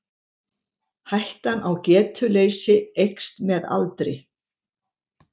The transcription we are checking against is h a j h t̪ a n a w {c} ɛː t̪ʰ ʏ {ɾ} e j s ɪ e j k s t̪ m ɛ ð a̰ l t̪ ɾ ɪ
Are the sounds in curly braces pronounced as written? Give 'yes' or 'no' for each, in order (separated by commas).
yes, no